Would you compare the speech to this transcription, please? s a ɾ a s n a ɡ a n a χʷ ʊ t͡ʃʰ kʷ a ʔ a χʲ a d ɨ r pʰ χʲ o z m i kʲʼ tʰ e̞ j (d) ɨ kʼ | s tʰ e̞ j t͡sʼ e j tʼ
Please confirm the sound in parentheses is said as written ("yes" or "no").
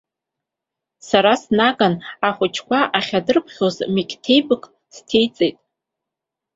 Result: no